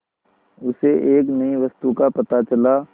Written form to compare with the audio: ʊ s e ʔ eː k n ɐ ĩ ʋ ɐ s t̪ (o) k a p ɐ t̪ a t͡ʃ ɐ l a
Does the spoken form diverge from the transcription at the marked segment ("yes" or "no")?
yes